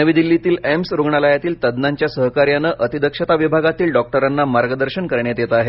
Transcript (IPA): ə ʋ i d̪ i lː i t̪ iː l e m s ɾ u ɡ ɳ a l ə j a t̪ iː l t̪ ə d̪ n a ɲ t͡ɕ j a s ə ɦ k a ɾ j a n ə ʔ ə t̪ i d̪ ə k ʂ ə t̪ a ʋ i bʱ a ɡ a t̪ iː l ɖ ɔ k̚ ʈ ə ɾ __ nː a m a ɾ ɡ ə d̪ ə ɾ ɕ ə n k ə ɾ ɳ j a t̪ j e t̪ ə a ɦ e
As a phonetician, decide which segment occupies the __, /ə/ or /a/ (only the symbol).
a